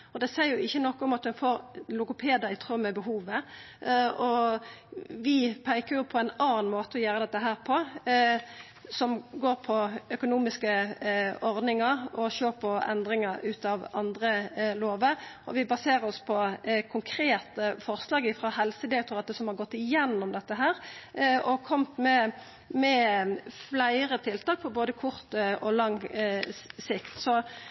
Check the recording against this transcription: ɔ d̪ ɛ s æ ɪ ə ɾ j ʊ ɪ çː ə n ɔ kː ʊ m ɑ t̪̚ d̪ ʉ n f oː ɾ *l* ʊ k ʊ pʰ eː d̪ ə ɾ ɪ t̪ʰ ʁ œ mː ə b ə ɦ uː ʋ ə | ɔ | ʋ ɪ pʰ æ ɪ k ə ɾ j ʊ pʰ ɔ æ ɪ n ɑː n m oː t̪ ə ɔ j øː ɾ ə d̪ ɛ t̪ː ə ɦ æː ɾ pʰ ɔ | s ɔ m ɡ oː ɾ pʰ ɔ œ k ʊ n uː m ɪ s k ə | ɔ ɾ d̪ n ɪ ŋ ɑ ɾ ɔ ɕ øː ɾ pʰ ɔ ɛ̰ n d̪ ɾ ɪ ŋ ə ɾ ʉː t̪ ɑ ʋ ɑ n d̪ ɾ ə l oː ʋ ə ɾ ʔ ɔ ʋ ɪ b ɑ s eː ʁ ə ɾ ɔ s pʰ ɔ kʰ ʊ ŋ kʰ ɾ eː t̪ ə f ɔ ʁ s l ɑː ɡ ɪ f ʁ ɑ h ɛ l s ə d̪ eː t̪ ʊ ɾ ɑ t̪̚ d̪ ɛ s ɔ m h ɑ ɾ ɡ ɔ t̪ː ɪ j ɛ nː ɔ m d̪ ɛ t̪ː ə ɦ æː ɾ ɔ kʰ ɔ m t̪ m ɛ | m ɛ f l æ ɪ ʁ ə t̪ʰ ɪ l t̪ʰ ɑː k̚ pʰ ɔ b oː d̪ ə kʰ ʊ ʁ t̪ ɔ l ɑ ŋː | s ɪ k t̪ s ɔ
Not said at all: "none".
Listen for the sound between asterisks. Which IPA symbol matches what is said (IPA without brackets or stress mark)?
l